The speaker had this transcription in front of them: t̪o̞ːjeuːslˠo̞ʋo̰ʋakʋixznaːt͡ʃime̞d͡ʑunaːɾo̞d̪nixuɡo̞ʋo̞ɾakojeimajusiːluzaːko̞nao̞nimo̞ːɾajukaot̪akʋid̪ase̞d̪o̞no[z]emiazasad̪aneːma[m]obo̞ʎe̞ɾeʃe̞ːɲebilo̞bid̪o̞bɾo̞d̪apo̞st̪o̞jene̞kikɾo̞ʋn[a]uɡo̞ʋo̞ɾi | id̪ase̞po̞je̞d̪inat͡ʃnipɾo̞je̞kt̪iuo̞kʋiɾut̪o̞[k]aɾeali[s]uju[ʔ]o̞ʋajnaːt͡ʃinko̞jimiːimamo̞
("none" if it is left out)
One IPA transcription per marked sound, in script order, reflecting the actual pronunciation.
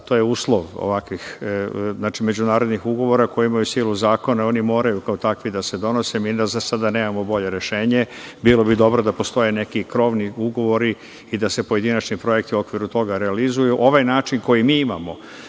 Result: s, m, i, ɡ, z, ʔ

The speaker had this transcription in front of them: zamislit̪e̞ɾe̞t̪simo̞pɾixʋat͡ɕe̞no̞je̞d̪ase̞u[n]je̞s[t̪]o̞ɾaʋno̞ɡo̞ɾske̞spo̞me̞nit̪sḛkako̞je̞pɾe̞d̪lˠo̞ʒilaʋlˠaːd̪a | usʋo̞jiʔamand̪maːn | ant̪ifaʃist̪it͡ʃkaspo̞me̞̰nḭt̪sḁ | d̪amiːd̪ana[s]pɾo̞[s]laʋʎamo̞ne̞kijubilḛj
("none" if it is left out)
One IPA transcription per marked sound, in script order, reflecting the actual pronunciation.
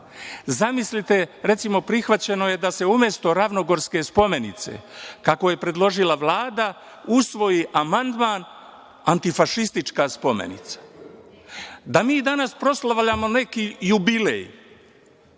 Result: m, t̪, s, s

